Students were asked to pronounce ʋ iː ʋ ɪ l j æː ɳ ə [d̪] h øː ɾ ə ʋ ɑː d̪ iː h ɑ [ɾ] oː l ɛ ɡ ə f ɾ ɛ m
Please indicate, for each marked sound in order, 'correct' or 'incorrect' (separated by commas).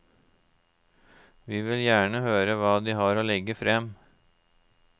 incorrect, correct